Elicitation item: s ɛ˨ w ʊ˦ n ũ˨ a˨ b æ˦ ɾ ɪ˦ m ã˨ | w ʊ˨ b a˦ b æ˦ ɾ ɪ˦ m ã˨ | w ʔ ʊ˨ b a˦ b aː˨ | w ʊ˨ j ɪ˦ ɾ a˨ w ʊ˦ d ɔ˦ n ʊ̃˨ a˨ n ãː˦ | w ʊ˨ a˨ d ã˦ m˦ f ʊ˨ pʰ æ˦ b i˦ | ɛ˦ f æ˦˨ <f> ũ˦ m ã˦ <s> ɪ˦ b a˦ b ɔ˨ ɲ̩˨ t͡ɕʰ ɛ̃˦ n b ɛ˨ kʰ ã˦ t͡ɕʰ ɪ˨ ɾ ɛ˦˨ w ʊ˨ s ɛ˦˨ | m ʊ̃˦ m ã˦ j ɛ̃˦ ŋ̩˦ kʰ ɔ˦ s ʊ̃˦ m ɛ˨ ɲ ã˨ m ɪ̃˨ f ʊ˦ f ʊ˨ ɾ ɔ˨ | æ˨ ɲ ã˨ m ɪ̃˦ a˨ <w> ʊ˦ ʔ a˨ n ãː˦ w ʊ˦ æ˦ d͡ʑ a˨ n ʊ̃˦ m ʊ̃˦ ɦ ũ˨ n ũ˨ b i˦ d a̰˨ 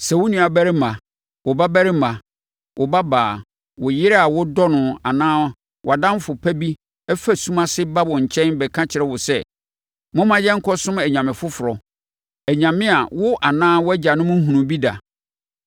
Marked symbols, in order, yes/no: no, yes, yes

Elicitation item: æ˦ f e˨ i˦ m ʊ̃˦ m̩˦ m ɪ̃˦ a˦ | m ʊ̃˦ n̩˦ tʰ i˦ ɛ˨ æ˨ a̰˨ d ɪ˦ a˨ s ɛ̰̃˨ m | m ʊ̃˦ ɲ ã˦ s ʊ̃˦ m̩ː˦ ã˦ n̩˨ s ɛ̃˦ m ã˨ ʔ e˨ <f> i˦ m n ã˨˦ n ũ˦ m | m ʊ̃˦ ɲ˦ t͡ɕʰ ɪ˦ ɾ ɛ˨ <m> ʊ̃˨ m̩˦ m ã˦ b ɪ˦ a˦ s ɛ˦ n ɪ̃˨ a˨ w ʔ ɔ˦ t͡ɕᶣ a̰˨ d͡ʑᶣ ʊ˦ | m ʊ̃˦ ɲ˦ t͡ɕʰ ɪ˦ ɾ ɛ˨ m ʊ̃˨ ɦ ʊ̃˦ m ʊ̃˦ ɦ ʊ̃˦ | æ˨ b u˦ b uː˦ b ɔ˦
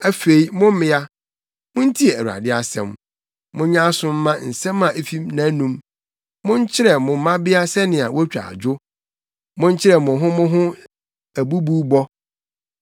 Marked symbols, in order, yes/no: yes, yes

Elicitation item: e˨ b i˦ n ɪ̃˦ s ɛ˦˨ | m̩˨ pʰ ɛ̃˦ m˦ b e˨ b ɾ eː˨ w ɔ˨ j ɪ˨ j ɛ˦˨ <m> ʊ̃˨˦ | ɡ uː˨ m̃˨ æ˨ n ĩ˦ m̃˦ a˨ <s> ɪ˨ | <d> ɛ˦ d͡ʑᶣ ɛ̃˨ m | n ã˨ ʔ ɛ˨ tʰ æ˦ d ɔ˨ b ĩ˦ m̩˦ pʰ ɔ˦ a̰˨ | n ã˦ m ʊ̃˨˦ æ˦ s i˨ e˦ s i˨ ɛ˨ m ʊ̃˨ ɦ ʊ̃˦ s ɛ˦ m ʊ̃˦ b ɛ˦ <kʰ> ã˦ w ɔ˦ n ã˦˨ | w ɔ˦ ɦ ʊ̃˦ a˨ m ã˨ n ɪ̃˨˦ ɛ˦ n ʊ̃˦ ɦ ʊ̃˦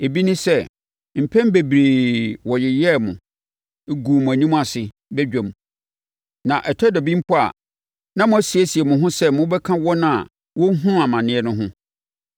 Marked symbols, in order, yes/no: yes, yes, no, yes

